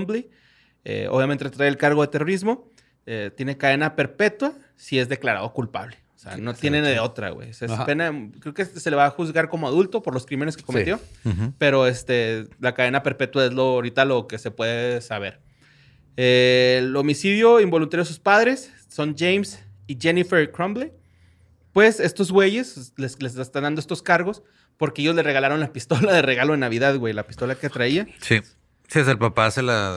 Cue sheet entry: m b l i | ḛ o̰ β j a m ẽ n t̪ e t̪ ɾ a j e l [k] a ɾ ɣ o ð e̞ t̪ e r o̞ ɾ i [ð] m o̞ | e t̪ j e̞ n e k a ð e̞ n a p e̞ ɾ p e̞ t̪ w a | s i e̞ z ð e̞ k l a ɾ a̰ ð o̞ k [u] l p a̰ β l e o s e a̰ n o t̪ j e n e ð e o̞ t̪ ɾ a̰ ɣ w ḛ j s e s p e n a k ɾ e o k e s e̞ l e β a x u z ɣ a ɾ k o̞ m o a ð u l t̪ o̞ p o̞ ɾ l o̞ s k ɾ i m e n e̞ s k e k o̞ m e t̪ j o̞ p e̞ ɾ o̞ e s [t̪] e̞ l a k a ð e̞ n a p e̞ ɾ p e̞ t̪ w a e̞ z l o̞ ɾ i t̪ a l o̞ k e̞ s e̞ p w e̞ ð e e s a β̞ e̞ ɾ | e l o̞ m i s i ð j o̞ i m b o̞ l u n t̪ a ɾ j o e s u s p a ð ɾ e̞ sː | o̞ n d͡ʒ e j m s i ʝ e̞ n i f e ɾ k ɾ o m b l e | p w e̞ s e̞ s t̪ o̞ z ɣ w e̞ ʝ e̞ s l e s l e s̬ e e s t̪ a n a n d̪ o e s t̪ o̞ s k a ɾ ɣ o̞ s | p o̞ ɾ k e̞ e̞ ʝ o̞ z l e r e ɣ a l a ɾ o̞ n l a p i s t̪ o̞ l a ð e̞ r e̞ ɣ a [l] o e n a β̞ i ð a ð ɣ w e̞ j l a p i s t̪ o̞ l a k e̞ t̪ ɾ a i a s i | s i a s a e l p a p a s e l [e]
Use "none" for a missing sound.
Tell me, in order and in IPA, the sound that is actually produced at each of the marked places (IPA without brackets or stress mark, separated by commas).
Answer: k, z, u, t̪, l, a